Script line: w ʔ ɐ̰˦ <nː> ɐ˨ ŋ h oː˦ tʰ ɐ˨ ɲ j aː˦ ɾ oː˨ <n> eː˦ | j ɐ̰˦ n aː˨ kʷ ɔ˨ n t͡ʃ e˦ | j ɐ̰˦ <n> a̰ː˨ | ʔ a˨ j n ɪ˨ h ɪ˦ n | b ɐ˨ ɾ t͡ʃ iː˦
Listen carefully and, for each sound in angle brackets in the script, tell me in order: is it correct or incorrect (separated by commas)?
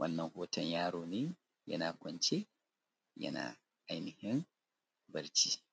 correct, correct, correct